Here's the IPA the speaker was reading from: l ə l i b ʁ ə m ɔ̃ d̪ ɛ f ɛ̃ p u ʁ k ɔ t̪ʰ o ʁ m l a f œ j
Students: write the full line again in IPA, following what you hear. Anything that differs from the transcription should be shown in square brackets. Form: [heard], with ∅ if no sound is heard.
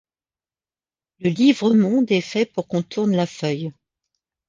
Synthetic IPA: l ə l i [v] ʁ ə m ɔ̃ d̪ ɛ f [ɛ] p u ʁ k [ɔ̃] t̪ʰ [u] ʁ [n] l a f œ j